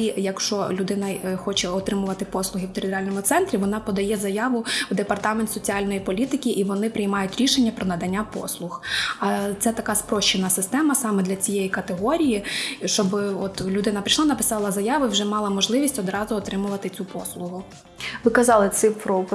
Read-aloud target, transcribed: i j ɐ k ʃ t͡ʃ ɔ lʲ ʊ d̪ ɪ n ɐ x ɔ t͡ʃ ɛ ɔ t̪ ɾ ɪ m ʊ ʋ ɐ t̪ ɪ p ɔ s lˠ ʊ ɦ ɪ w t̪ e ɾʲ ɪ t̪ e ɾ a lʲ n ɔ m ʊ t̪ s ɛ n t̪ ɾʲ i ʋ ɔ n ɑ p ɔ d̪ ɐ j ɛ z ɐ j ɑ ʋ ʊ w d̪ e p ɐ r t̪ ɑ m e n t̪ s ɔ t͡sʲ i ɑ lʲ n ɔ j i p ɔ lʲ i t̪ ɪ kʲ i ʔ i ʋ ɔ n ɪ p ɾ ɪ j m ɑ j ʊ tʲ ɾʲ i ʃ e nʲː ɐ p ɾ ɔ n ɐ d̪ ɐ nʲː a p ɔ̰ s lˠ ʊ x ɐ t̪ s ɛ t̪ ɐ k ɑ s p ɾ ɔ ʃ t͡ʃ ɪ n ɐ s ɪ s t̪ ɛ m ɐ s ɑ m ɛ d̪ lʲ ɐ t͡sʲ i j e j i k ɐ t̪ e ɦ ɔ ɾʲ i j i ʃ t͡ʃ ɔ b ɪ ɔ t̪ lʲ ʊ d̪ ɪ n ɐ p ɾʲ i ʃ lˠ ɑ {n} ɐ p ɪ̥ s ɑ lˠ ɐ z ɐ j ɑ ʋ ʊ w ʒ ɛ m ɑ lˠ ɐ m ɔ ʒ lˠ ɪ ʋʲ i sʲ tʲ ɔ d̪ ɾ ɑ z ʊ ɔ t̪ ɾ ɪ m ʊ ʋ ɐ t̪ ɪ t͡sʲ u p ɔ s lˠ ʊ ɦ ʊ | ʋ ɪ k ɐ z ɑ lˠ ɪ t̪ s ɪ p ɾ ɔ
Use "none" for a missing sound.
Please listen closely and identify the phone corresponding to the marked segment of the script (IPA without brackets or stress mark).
n